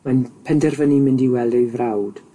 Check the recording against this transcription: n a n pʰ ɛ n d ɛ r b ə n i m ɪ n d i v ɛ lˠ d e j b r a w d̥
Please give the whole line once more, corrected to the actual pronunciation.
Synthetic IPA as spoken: m a n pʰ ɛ n d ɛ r v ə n i m ɪ n d i w ɛ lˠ d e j v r a w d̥

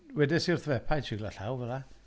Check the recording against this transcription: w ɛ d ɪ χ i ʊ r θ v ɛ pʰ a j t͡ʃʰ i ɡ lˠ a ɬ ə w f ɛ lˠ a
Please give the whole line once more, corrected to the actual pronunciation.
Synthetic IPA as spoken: w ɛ d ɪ s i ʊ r θ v ɛ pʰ a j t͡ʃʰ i ɡ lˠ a ɬ a w v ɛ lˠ a

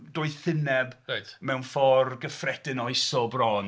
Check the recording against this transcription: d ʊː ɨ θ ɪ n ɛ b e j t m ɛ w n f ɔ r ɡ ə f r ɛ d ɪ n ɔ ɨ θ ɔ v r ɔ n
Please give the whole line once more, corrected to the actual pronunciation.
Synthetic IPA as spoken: d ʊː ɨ θ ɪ n ɛ b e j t m ɛ w n f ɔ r ɡ ə f r ɛ d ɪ n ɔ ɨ s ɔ b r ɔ n

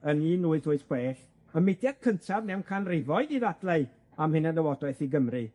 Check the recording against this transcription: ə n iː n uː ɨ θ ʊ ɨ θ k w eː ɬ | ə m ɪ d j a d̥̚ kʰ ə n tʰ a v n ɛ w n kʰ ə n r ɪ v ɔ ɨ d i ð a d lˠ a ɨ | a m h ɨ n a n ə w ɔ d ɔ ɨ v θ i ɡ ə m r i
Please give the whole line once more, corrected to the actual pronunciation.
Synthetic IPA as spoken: ə n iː n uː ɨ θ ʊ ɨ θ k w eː ɬ | ə m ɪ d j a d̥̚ kʰ ə n tʰ a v n ɛ w n kʰ a n r ɪ v ɔ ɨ d i ð a d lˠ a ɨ | a m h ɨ n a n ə w ɔ d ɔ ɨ θ i ɡ ə m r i

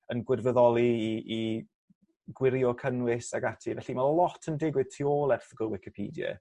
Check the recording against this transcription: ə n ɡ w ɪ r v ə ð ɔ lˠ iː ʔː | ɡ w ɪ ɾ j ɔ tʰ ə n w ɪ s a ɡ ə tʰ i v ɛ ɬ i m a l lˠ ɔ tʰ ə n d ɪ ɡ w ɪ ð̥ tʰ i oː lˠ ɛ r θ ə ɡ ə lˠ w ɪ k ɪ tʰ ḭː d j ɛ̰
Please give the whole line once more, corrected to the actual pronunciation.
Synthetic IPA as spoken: ə n ɡ w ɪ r v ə ð ɔ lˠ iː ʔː | ɡ w ɪ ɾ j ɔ kʰ ə n w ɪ s a ɡ a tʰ i v ɛ ɬ i m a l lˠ ɔ tʰ ə n d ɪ ɡ w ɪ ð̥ tʰ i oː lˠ ɛ r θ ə ɡ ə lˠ w ɪ k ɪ pʰ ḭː d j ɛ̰

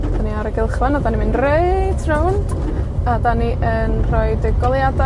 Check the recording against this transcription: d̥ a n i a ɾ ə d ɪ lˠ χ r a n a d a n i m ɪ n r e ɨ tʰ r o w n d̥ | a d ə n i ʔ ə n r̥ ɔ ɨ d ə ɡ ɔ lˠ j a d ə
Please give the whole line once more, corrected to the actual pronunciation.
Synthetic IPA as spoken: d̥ a n i a ɾ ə ɡ ɪ lˠ χ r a n a d a n i m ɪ n r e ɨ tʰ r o w n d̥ | a d a n i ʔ ə n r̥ ɔ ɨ d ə ɡ ɔ lˠ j a d a

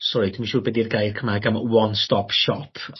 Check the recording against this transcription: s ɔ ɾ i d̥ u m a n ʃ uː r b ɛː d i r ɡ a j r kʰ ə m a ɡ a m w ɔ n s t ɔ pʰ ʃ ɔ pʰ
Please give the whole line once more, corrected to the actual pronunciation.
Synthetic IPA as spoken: s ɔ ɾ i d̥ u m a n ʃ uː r b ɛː d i r ɡ a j r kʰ ə m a ɡ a m w ɔ n s t ɔ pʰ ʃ ɔ pʰ

